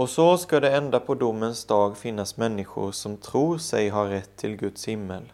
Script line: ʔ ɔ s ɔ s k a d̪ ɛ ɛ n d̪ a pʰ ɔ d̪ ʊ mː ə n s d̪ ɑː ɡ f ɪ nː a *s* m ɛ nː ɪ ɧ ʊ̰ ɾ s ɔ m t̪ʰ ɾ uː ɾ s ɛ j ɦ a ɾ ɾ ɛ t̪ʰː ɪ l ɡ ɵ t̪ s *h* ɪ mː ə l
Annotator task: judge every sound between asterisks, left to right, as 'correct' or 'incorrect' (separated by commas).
correct, correct